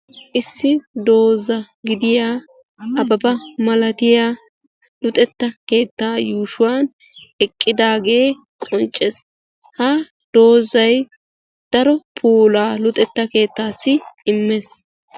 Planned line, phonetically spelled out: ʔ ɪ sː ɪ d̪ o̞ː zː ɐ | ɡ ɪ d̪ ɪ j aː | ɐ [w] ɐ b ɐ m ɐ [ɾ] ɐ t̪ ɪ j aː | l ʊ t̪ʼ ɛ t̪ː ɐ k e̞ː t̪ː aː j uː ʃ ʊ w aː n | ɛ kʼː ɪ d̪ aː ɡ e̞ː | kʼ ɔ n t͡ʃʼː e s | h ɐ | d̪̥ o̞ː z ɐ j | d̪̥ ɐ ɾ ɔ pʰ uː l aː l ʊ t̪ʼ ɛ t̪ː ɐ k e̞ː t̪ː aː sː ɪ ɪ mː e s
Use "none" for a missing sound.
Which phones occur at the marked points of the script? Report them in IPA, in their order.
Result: b, l

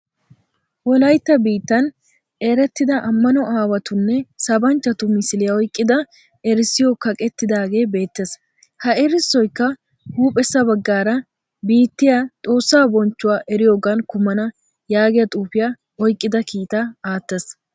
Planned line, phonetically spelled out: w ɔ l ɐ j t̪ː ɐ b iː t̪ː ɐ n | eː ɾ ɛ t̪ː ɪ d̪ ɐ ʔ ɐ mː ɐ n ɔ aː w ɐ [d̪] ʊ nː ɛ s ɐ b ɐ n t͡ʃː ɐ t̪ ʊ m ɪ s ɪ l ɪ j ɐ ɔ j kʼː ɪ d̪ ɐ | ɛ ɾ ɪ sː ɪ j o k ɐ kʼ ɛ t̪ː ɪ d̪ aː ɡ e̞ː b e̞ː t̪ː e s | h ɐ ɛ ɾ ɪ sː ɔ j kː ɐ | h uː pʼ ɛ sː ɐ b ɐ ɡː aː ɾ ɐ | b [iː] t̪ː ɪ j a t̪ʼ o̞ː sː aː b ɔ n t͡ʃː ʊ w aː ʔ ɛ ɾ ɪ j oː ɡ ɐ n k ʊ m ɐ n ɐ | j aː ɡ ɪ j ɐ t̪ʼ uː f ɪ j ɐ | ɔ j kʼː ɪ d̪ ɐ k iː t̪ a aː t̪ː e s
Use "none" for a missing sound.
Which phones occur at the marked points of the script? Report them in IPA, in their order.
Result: t̪, iː

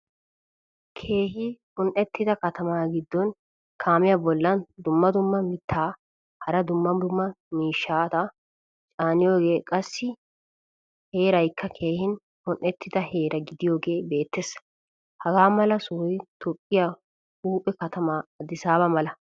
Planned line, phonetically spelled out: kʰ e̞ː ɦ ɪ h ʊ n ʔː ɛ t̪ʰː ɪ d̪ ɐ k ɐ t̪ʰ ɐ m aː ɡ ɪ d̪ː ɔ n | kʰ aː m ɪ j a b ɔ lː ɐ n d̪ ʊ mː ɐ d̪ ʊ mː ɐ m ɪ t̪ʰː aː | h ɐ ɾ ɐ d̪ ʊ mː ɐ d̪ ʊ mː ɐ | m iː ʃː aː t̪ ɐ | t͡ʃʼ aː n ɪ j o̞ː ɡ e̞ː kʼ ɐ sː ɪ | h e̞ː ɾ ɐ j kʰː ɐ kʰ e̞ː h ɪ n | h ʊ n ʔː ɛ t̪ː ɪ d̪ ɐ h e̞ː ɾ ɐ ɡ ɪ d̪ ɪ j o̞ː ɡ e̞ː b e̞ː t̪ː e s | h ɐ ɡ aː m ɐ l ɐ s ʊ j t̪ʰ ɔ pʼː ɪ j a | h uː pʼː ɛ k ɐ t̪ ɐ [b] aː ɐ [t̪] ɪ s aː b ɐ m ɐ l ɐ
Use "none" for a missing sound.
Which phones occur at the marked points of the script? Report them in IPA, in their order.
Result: m, d̪

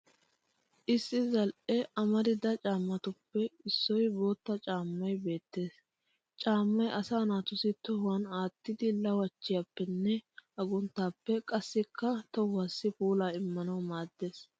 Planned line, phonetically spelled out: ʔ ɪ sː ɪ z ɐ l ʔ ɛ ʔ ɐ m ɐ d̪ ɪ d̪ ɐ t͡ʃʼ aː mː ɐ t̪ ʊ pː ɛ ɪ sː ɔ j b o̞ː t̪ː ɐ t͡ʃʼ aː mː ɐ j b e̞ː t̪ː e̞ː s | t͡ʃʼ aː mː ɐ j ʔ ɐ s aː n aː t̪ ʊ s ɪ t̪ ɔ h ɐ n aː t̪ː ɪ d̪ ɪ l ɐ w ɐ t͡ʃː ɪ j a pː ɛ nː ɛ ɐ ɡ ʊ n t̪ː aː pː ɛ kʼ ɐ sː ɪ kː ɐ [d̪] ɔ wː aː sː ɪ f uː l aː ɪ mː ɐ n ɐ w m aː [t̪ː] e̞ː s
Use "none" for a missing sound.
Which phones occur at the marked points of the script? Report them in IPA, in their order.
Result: t̪, d̪ː

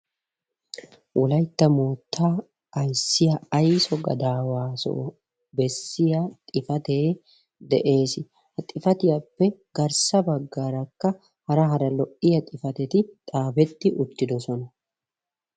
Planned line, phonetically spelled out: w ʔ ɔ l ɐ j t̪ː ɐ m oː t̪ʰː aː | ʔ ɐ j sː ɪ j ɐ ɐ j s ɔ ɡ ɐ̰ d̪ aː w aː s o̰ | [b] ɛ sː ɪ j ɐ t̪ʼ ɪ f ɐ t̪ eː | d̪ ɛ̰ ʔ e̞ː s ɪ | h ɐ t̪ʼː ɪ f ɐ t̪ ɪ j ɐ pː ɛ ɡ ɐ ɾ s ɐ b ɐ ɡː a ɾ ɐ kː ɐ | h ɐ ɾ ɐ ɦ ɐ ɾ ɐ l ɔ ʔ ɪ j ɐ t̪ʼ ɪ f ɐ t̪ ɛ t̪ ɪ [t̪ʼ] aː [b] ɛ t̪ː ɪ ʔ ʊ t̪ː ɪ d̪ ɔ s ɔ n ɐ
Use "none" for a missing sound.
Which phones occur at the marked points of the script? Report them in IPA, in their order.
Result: b, t̪ʼ, b

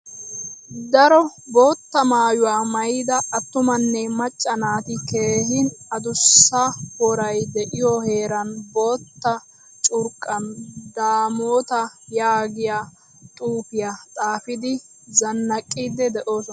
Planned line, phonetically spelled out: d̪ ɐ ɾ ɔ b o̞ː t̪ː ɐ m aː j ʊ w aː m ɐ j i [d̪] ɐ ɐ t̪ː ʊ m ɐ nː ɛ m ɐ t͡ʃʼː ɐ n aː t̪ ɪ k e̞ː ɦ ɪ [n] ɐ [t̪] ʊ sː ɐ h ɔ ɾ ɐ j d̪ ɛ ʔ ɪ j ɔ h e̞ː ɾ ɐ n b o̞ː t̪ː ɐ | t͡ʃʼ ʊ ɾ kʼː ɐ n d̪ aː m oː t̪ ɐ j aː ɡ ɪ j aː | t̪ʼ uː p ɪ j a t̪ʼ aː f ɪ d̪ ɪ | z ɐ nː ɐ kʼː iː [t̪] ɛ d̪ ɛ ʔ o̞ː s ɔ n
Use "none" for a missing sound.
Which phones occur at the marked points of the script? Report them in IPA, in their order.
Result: d̪, n, d̪, d̪

